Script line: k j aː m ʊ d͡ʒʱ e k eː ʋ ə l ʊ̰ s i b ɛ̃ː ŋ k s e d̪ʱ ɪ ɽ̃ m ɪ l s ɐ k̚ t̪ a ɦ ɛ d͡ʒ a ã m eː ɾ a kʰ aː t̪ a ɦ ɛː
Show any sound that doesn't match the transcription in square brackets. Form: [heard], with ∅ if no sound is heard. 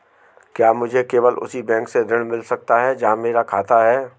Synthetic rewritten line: k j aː m ʊ d͡ʒʱ e k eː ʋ ə l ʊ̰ s i b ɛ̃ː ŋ k s e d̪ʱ ɪ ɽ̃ m ɪ l s ɐ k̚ t̪ a ɦ ɛ d͡ʒ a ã m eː ɾ a kʰ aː t̪ a ɦ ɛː